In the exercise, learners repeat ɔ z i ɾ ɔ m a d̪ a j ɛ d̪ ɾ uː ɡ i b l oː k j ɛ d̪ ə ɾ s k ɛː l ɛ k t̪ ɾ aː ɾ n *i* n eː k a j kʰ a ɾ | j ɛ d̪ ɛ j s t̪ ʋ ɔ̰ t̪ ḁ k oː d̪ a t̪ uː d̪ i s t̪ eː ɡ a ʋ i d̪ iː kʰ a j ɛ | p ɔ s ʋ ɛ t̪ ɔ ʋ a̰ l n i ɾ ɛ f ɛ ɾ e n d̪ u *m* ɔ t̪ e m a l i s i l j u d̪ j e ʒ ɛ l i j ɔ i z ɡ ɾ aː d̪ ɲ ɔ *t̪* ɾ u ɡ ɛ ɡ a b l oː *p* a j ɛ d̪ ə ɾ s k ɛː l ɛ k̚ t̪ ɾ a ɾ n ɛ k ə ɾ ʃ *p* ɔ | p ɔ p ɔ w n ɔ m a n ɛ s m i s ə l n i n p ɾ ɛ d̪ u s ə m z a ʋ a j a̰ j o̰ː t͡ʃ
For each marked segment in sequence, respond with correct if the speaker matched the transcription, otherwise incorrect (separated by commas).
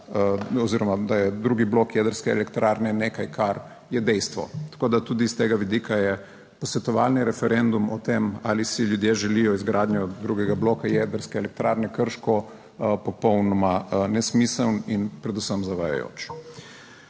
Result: incorrect, correct, incorrect, incorrect, incorrect